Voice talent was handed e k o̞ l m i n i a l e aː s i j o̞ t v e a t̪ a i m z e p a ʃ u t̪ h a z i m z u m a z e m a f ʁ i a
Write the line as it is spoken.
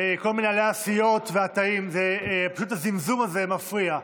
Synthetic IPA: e k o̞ l m i n e a l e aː s i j o̞ t v e a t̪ a i m z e p a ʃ u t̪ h a z i m z u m a z e m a f ʁ i a